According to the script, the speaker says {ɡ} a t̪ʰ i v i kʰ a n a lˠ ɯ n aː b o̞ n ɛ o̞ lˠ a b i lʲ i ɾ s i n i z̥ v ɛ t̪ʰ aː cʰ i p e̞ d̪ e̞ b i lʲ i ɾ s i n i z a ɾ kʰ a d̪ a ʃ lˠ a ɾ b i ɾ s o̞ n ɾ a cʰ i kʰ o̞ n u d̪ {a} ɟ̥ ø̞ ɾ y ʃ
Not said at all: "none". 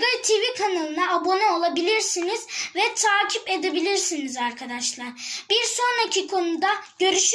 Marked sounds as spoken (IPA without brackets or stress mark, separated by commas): ɡ, a